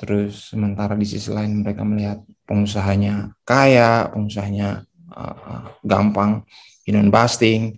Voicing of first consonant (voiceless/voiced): voiceless